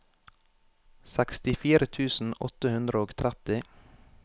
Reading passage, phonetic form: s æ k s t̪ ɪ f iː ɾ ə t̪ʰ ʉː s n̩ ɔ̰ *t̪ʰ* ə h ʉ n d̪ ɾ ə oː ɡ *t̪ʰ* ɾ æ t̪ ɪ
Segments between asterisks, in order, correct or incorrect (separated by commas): incorrect, correct